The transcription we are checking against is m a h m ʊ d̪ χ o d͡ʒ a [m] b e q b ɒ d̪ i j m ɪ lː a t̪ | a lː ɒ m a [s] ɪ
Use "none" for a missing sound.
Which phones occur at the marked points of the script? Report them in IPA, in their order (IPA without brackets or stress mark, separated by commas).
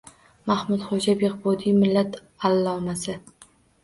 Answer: none, s